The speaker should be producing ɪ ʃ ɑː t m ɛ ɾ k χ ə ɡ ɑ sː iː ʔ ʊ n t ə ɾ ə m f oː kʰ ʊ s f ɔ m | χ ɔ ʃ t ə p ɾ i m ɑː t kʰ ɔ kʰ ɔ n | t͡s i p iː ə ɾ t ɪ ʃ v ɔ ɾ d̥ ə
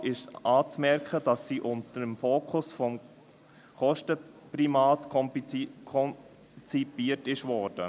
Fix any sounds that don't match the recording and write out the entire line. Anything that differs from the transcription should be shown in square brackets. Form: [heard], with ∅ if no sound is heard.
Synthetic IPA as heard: ɪ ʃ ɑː [t͡s] m ɛ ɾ k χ ə [d] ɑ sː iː ʔ ʊ n t ə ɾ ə m f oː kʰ ʊ s f ɔ m | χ ɔ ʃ t ə p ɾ i m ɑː t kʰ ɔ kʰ ɔ n | t͡s i p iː ə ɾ t ɪ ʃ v ɔ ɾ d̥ ə